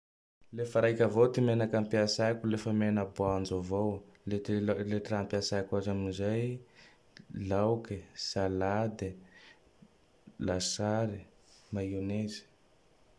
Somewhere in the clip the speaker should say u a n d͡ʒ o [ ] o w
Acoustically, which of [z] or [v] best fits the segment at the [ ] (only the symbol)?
v